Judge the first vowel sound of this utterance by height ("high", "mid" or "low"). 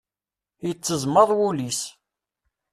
mid